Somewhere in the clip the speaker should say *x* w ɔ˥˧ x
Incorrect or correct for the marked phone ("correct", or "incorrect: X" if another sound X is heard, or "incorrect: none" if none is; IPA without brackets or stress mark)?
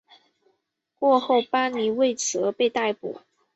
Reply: incorrect: k